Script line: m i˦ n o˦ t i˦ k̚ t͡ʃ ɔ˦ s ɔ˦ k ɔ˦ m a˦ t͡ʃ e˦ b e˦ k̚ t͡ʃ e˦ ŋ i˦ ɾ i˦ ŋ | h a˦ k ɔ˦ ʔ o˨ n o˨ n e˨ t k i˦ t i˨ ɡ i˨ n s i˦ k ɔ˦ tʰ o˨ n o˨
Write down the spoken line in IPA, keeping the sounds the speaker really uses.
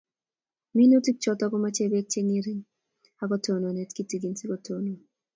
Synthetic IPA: m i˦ n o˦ t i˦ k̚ t͡ʃ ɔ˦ t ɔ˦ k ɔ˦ m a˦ t͡ʃ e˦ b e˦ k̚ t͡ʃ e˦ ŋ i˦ ɾ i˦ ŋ | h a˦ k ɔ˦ t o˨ n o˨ n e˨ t k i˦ t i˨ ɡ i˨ n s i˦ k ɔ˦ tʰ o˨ n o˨